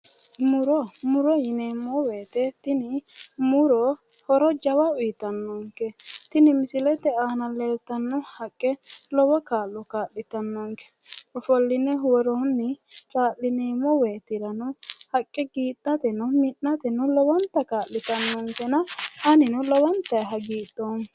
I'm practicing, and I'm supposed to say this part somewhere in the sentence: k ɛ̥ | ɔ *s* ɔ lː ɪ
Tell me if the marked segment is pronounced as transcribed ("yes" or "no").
no